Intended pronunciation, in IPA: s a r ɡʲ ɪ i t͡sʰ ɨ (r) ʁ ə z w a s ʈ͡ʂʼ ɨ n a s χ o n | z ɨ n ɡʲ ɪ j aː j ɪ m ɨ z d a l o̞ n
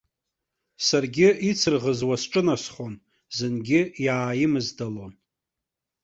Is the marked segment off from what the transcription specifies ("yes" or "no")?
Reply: no